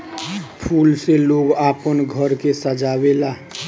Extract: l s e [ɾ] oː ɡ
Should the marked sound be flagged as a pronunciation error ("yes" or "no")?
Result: yes